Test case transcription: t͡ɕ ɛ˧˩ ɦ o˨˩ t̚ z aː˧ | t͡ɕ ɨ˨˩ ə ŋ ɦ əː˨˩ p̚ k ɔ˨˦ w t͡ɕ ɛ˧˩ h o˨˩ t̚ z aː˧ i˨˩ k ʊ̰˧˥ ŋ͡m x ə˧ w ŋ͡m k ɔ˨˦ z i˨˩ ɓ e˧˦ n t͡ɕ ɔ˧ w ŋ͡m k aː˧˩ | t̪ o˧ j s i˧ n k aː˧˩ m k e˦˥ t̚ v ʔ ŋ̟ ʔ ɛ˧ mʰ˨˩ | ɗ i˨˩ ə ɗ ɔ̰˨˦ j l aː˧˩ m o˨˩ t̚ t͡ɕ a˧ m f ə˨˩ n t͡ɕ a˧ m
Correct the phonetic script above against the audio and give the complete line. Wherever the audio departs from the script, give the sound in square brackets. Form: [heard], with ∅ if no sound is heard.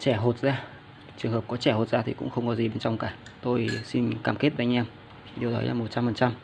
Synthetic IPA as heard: t͡ɕ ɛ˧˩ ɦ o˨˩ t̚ z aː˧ | t͡ɕ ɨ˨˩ ə ŋ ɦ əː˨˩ p̚ k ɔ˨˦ [∅] t͡ɕ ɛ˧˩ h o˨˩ t̚ z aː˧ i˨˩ k ʊ̰˧˥ ŋ͡m x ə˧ w ŋ͡m k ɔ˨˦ z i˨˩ ɓ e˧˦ n t͡ɕ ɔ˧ w ŋ͡m k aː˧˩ | t̪ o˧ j s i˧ n k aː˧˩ m k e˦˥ t̚ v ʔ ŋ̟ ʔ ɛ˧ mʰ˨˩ | ɗ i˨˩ ə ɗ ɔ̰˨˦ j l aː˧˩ m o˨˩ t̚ t͡ɕ a˧ m f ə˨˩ n t͡ɕ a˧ m

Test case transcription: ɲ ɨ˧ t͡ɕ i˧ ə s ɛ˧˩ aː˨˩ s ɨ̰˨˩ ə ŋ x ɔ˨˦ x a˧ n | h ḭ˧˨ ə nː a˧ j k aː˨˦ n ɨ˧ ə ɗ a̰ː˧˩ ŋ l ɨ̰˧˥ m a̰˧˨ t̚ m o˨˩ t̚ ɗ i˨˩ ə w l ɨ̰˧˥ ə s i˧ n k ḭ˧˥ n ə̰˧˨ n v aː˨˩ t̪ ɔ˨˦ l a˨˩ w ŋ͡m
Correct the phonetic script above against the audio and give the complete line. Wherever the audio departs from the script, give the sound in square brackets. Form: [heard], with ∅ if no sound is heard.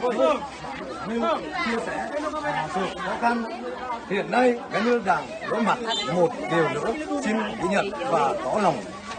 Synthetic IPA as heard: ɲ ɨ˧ t͡ɕ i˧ ə s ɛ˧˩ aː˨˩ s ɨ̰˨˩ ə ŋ x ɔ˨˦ x a˧ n | h ḭ˧˨ ə nː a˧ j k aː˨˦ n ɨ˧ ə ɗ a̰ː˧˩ ŋ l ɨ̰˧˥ m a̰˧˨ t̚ m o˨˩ t̚ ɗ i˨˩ ə w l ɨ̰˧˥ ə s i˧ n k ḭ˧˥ [ɲ] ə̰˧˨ n v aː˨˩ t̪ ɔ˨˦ l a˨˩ w ŋ͡m

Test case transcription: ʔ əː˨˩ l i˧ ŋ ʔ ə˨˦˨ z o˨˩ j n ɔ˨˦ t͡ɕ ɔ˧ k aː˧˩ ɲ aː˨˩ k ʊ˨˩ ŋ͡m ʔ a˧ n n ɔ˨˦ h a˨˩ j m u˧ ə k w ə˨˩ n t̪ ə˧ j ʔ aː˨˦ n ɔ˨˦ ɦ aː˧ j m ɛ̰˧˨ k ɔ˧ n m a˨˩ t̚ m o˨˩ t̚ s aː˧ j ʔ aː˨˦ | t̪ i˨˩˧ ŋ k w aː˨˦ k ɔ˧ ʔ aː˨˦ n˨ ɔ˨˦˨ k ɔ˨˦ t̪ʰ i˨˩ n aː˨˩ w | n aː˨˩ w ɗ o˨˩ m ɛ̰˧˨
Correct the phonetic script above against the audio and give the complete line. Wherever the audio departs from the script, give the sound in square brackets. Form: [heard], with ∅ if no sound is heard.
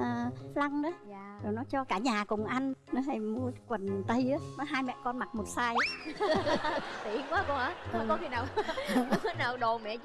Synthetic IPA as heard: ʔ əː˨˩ l [a˧] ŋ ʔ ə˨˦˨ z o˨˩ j n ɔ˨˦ t͡ɕ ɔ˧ k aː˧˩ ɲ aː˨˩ k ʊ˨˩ ŋ͡m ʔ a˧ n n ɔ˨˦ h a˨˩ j m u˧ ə k w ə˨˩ n t̪ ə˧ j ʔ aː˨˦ n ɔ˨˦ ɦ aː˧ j m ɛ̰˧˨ k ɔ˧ n m a˨˩ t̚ m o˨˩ t̚ s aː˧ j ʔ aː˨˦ | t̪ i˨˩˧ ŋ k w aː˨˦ k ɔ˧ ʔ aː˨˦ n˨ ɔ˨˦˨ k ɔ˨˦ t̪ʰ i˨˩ n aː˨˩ w | n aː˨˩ w ɗ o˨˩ m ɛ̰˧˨

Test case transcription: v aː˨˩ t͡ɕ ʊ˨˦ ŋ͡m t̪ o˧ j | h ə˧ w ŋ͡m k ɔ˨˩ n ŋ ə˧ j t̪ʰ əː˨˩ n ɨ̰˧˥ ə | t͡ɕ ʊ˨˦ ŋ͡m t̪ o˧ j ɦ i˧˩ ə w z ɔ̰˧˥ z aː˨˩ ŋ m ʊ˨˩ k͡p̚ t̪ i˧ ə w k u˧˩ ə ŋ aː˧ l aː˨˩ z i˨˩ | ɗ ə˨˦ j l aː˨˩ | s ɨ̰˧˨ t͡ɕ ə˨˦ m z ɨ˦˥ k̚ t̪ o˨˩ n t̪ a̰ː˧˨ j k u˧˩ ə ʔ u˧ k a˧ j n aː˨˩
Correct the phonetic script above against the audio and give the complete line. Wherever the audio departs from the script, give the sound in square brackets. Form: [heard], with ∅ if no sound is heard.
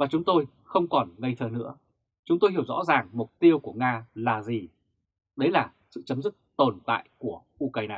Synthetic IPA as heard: v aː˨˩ t͡ɕ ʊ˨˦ ŋ͡m t̪ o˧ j | [x] ə˧ w ŋ͡m k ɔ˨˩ n ŋ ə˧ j t̪ʰ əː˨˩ n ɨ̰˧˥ ə | t͡ɕ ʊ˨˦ ŋ͡m t̪ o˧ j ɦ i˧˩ ə w z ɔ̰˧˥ z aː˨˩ ŋ m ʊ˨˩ k͡p̚ t̪ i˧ ə w k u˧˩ ə ŋ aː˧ l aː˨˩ z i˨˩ | ɗ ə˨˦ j l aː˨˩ | s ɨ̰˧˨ t͡ɕ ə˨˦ m z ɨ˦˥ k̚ t̪ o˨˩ n t̪ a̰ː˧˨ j k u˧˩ ə ʔ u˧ k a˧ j n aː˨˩

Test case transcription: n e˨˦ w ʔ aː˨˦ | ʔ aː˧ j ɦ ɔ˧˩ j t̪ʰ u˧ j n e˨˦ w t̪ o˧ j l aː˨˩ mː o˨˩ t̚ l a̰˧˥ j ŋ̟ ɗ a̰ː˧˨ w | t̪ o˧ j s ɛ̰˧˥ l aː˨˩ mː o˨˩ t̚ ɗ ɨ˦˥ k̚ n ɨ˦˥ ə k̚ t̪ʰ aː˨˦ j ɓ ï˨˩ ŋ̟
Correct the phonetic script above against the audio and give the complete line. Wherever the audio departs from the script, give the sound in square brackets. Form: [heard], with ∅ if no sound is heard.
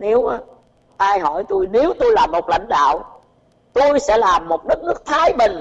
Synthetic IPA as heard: n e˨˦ w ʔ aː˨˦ | ʔ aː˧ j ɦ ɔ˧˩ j [t̪] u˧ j n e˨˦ w t̪ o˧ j l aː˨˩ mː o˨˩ t̚ l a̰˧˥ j ŋ̟ ɗ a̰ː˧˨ w | t̪ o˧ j s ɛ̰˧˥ l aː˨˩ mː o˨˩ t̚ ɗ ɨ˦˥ k̚ n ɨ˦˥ ə k̚ t̪ʰ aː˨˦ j ɓ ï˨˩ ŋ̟

